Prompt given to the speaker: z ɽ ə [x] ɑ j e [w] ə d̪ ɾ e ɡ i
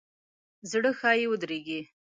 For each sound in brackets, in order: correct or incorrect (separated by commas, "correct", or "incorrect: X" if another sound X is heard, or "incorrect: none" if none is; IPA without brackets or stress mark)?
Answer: correct, correct